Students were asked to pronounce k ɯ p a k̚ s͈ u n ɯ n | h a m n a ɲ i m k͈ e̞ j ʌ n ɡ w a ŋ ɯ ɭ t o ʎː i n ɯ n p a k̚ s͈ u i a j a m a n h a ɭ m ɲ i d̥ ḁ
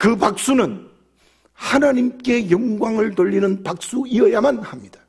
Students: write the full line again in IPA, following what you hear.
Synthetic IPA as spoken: k ɯ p a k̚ s͈ u n ɯ n | h a n a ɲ i m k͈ e̞ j ʌ ŋ ɡ w a ŋ ɯ ɭ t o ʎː i n ɯ n p a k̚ s͈ u i ʌ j a m a n h a m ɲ i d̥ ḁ